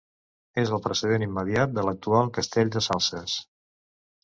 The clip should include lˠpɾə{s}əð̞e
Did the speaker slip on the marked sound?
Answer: no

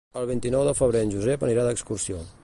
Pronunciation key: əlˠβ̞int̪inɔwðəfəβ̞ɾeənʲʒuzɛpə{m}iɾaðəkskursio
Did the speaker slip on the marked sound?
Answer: yes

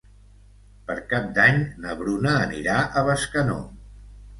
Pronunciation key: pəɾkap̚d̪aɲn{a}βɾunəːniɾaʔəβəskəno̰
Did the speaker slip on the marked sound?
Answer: yes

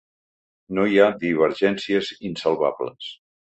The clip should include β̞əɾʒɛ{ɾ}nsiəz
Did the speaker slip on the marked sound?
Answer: yes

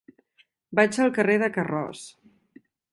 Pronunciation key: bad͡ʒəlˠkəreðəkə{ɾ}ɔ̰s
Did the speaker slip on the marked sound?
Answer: yes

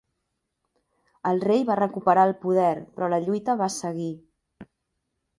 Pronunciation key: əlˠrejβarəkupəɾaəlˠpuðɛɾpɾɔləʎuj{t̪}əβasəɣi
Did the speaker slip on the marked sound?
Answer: no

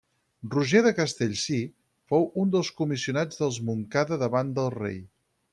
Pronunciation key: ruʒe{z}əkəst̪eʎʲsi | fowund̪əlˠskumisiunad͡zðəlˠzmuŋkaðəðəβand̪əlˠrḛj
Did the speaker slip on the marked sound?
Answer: yes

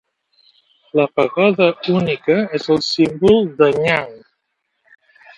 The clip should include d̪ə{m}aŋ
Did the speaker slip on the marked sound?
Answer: yes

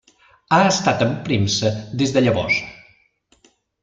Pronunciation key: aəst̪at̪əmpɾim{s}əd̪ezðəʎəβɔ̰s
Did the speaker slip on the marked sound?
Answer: no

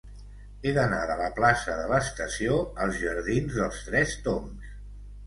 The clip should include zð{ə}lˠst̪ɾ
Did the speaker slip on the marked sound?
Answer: no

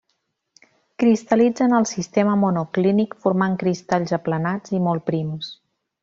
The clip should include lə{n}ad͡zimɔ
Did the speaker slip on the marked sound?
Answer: no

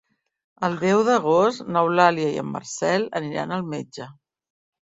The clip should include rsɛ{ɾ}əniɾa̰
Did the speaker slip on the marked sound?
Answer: yes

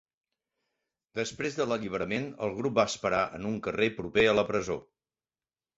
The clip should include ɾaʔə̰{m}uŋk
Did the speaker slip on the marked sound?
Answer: yes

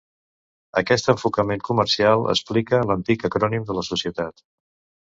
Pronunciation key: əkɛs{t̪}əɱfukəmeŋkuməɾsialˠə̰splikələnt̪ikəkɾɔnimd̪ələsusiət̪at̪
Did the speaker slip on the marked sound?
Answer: no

